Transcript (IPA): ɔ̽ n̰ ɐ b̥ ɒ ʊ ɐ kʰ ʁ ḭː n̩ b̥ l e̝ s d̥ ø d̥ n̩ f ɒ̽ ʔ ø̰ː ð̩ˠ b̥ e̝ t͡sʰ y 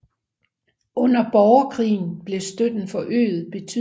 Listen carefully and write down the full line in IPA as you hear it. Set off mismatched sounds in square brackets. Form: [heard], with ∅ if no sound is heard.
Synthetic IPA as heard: ɔ̽ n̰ ɐ b̥ ɒ ʊ ɐ kʰ ʁ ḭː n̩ b̥ l e̝ s d̥ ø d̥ n̩ f ɒ̽ ʔ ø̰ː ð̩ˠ b̥ e̝ t͡sʰ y